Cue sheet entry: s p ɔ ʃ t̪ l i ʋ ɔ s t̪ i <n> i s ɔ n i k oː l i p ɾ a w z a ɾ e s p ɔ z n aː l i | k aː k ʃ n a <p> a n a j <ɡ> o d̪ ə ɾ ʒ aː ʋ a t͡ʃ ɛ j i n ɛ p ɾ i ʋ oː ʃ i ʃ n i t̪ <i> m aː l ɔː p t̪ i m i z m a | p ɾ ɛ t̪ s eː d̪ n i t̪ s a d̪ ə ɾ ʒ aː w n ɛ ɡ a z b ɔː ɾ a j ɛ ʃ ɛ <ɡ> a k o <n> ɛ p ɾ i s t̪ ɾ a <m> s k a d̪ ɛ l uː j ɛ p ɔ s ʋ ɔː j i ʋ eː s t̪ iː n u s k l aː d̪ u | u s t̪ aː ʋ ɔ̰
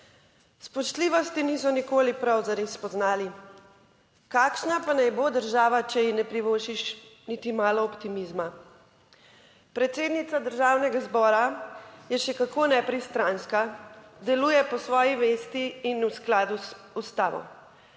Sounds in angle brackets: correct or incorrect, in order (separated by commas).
correct, correct, incorrect, correct, incorrect, correct, incorrect